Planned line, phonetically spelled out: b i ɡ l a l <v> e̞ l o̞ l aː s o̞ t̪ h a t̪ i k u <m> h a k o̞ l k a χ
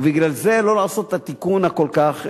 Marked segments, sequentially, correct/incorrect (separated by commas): incorrect, incorrect